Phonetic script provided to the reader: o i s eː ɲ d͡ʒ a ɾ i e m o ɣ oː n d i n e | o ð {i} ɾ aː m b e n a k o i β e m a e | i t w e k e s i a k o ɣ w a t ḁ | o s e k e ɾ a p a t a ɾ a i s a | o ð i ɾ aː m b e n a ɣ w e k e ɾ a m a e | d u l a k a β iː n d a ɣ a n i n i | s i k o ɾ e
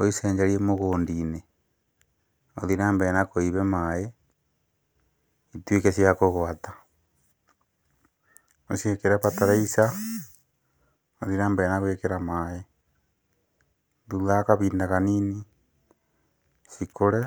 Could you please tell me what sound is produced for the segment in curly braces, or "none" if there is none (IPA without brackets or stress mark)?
i